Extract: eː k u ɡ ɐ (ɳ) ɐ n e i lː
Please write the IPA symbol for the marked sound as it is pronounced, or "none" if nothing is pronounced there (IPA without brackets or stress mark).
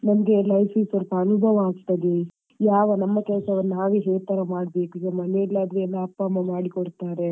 m